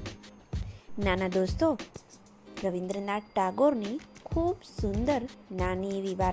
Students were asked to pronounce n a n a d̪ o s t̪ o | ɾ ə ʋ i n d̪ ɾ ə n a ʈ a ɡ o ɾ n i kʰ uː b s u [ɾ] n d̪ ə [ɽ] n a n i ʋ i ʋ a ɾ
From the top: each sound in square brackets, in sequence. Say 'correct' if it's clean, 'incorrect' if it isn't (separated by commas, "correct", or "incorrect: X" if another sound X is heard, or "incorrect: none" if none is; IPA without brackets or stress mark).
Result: incorrect: none, incorrect: ɾ